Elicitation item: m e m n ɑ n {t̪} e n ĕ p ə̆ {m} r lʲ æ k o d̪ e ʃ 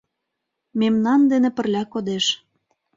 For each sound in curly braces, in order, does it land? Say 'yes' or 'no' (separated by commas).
no, no